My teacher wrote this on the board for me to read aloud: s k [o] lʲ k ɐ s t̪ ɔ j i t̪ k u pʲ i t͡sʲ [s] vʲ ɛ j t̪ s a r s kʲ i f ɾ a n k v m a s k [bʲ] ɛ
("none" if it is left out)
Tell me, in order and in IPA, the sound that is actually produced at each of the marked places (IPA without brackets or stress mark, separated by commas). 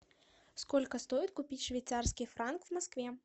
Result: ɔ, ʂ, vʲ